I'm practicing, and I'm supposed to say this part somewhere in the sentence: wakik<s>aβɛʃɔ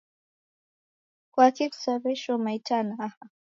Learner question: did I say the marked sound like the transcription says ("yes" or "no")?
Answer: yes